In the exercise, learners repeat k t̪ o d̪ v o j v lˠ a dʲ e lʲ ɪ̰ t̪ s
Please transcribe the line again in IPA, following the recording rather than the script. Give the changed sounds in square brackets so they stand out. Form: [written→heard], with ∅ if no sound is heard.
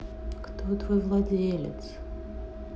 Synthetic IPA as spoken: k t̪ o [d̪→t̪] v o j v lˠ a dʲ e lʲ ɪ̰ t̪ s

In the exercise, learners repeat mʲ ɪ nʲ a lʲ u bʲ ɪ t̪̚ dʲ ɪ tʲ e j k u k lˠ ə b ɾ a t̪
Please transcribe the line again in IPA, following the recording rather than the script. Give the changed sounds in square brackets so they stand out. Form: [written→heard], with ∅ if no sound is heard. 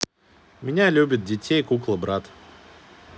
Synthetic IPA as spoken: mʲ ɪ nʲ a lʲ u bʲ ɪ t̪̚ dʲ ɪ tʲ e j k u k lˠ ə b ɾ a t̪

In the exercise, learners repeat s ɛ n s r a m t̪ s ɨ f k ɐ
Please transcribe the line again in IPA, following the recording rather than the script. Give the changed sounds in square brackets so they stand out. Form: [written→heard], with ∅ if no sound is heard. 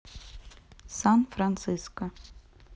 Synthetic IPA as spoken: s [ɛ→a] n [s→f] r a [m→n] t̪ s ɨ [f→s] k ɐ

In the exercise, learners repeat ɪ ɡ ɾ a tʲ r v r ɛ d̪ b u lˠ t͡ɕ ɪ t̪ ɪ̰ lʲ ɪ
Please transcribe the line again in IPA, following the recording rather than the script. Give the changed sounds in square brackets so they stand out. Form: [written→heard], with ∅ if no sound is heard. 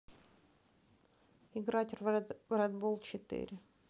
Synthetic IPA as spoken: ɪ ɡ ɾ a tʲ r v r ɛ d̪ b [u→o] lˠ t͡ɕ ɪ t̪ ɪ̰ [lʲ→ɾʲ] ɪ

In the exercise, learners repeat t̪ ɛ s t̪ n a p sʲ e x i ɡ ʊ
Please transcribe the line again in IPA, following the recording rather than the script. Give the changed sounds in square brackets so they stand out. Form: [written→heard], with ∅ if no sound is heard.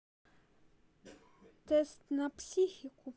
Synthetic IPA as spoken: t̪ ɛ s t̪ n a p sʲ [e→i] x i [ɡ→k] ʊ

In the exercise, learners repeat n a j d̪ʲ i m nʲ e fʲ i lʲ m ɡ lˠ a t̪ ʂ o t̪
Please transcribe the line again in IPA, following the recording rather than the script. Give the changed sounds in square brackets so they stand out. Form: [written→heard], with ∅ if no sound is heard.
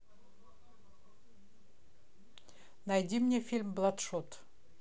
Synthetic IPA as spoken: n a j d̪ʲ i m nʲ e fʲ i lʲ m [ɡ→b] lˠ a t̪ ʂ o t̪

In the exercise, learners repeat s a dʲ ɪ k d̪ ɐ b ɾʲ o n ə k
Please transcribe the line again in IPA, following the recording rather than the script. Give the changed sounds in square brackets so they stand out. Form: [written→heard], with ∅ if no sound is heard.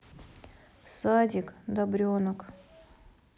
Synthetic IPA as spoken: s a dʲ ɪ k d̪ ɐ b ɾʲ o n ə k

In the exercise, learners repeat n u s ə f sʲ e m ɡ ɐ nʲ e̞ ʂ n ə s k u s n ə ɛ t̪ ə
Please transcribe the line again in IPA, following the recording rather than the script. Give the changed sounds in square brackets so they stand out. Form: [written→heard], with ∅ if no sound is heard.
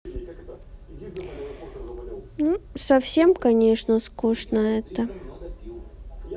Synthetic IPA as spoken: n u s [ə→ɐ] f sʲ e m [ɡ→k] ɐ nʲ e̞ ʂ n ə s k u [s→ʂ] n ə ɛ t̪ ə

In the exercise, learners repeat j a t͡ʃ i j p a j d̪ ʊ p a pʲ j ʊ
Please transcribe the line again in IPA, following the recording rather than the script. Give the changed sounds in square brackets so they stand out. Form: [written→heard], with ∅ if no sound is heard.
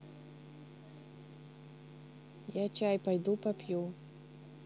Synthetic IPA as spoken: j a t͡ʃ [i→a] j p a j d̪ [ʊ→u] p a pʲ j [ʊ→u]

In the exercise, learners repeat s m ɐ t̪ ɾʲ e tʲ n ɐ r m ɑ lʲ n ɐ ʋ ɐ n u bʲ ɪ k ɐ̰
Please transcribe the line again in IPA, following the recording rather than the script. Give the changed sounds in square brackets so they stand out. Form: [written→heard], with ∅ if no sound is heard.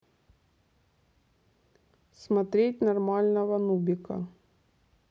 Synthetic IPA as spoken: s m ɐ t̪ ɾʲ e tʲ n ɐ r m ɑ lʲ n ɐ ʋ ɐ n u bʲ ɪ k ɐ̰

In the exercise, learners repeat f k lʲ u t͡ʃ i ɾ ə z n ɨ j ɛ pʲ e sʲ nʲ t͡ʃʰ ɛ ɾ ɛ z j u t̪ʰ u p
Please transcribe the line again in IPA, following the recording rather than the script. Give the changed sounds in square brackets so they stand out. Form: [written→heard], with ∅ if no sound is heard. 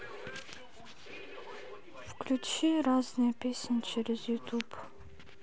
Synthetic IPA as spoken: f k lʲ u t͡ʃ i ɾ [ə→a] z n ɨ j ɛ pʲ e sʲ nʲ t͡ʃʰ ɛ ɾ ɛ z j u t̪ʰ u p

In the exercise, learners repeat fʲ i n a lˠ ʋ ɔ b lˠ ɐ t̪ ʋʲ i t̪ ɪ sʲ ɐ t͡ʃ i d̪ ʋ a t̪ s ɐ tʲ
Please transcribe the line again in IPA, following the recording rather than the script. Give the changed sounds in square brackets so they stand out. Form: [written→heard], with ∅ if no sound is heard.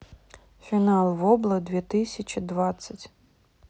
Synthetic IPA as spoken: fʲ i n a lˠ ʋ ɔ b lˠ ɐ [t̪→d̪] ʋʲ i t̪ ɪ sʲ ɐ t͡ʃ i d̪ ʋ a t̪ s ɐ tʲ

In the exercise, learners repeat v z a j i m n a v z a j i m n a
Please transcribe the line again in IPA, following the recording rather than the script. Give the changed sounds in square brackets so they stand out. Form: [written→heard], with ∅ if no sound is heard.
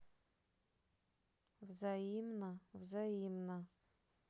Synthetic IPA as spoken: v z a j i m n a v z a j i m n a

